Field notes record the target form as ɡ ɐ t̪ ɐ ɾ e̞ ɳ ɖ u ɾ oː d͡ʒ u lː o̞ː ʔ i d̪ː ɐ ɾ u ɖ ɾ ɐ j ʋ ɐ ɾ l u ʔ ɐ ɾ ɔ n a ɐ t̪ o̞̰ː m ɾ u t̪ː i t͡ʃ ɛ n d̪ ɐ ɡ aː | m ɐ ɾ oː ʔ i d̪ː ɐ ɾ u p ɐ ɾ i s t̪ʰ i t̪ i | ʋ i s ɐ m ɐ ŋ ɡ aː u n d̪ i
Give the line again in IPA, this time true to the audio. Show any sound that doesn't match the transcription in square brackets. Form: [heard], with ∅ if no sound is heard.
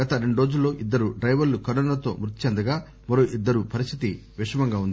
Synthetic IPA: ɡ ɐ t̪ ɐ ɾ e̞ ɳ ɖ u ɾ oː d͡ʒ u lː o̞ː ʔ i d̪ː ɐ ɾ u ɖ ɾ ɐ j ʋ ɐ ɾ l u [k] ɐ ɾ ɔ n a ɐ t̪ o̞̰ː m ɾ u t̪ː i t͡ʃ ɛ n d̪ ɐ ɡ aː | m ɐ ɾ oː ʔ i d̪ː ɐ ɾ u p ɐ ɾ i s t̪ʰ i t̪ i | ʋ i [ʂ] ɐ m ɐ ŋ ɡ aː u n d̪ i